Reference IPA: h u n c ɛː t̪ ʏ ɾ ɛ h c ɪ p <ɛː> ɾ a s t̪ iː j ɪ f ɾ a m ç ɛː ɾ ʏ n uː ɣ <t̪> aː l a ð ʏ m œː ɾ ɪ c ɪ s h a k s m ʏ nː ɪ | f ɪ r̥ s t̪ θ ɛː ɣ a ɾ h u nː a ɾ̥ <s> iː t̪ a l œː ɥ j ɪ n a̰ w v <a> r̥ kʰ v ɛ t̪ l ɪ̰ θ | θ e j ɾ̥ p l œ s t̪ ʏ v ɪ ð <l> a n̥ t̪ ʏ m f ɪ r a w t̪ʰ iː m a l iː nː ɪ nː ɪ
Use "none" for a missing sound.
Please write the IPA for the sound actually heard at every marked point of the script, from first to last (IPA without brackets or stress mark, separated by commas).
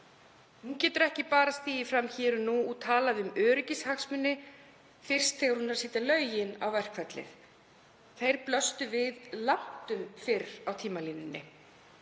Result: aː, t̪ʰ, s, ɛ, l